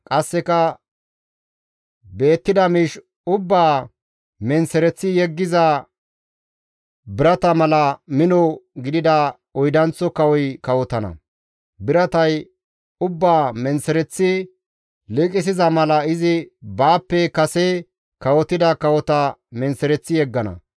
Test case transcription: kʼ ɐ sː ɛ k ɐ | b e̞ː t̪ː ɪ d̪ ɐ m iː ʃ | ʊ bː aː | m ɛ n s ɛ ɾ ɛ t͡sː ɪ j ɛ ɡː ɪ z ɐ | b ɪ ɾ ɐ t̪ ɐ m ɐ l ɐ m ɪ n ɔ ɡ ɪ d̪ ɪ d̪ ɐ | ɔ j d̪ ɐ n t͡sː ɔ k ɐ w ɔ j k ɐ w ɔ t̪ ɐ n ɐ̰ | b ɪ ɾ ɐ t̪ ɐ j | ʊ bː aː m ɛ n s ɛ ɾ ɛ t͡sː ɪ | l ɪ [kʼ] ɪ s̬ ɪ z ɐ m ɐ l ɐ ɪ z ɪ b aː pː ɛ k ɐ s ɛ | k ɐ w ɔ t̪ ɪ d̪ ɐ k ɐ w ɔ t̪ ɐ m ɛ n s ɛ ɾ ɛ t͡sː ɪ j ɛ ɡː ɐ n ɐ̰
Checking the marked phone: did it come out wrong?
no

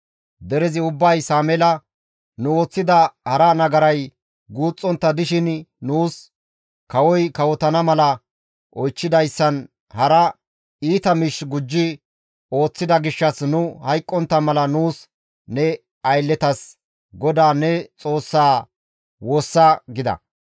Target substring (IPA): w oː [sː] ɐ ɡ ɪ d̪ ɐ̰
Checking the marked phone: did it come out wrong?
no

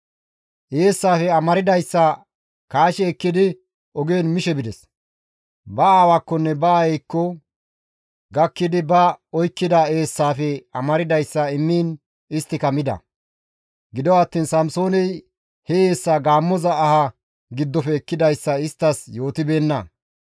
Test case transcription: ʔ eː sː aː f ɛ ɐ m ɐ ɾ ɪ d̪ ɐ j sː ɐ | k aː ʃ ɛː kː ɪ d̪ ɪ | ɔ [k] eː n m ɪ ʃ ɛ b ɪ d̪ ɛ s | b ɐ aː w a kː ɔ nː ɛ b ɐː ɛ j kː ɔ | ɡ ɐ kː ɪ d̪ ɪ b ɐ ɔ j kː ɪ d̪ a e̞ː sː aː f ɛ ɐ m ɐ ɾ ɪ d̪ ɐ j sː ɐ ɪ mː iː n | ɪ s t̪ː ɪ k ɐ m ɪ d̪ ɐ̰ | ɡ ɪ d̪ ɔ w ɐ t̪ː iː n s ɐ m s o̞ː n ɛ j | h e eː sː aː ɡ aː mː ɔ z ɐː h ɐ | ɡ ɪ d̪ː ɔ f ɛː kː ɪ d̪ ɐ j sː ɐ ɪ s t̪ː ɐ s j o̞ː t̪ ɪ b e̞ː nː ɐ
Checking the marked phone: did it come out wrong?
yes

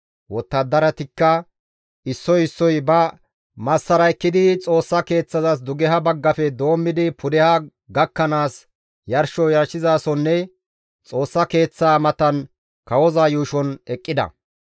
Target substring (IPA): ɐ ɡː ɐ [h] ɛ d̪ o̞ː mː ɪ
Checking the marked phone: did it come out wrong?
yes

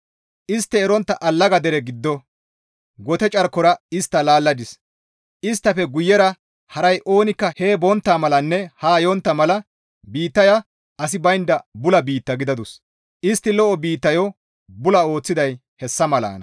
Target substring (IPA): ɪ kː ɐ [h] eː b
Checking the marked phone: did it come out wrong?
no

